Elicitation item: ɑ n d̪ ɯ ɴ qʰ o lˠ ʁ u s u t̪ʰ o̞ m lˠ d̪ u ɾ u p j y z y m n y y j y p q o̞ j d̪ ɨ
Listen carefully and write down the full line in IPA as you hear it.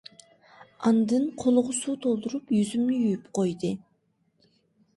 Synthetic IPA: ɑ n d̪ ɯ ɴ qʰ o lˠ ʁ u s u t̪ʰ o̞ lˠ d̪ u ɾ u p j y z y m n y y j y p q o̞ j d̪ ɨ